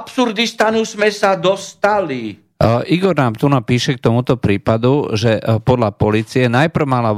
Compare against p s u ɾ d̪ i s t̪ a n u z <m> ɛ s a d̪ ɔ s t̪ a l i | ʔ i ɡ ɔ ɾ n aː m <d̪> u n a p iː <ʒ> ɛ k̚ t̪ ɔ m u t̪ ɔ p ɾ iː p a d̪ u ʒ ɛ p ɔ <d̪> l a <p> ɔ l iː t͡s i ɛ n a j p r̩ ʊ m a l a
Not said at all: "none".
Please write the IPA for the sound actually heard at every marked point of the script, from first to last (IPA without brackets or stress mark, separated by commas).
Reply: m, t̪, ʃ, d̪, p